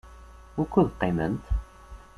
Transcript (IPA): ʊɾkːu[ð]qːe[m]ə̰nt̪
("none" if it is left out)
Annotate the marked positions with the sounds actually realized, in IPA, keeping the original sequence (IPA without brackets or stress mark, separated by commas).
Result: ð, m